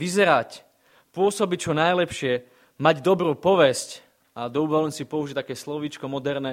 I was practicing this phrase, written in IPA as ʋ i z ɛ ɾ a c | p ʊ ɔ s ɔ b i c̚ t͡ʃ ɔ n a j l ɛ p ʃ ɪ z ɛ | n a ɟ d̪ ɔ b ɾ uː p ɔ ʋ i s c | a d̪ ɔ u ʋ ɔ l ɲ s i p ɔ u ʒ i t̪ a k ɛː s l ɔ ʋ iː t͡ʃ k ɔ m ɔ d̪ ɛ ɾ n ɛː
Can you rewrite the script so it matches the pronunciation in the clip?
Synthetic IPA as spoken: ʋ i z ɛ ɾ a c | p ʊ ɔ s ɔ b i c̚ t͡ʃ ɔ n a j l ɛ p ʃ ɪ ɛ | m a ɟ d̪ ɔ b ɾ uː p ɔ ʋ ɛ s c | a d̪ ɔ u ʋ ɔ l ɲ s i p ɔ u ʒ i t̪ a k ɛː s l ɔ ʋ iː t͡ʃ k ɔ m ɔ d̪ ɛ ɾ n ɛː